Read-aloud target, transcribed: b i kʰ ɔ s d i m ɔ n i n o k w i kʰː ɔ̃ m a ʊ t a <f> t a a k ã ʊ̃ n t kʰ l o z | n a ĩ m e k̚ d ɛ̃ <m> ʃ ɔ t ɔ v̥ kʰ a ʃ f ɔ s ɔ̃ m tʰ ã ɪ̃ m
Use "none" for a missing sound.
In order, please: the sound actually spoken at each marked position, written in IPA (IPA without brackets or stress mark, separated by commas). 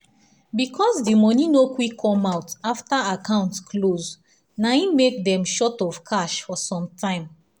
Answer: f, m